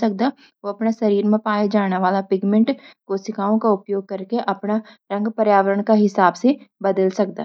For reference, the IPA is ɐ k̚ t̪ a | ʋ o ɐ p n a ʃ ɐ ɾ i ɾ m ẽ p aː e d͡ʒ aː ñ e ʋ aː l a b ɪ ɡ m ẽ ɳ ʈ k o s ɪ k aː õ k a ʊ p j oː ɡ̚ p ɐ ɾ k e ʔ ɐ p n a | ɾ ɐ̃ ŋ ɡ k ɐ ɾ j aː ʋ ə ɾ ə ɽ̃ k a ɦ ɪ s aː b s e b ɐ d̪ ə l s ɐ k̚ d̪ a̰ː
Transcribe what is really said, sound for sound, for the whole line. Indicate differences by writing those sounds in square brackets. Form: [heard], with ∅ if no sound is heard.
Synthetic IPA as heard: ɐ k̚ [d̪] a | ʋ o ɐ p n a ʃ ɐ ɾ [iː] ɾ m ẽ p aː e d͡ʒ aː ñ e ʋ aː l a [p] ɪ ɡ m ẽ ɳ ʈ k o s ɪ k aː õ k a ʊ p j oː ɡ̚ [k] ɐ ɾ k e ʔ ɐ p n a | ɾ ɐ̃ ŋ ɡ [p] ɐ ɾ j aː ʋ ə ɾ ə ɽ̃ k a ɦ ɪ s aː b s e b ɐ d̪ ə l s ɐ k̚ d̪ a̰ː